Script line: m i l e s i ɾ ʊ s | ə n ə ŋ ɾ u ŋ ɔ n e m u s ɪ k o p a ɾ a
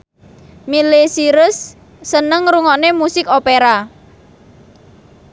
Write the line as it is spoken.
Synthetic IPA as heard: m i l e s i ɾ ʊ sː | ə n ə ŋ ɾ u ŋ ɔ n e m u s ɪ k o p e ɾ a